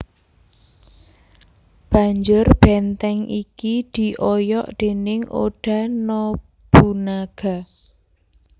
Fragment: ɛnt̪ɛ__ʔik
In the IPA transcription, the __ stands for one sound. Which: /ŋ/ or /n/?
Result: ŋ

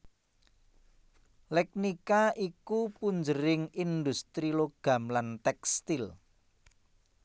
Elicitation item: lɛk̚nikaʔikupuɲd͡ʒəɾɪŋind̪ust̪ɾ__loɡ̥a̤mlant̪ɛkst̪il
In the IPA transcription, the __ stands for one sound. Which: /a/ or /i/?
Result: i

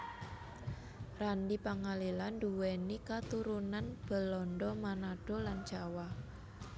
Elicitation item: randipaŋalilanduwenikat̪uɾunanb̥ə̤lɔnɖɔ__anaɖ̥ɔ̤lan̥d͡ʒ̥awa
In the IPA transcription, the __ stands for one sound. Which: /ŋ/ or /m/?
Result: m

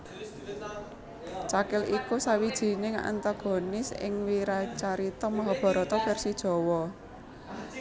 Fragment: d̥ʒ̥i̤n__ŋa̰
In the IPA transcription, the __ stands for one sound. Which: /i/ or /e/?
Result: e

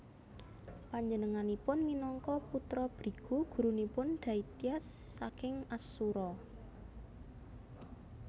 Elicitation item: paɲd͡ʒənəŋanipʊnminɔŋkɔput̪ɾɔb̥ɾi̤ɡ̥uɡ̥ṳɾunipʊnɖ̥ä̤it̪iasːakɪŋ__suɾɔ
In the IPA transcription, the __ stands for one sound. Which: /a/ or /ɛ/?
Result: a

